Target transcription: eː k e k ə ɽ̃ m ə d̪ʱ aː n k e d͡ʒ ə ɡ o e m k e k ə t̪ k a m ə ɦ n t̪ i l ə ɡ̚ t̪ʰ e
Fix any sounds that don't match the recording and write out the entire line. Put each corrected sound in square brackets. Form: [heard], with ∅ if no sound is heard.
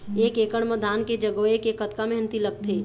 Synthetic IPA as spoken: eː k e k ə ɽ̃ m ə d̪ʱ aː n k e d͡ʒ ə ɡ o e [∅] k e k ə t̪ k a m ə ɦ n t̪ i l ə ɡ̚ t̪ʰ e